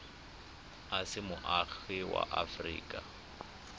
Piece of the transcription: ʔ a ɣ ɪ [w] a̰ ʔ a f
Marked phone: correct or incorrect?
correct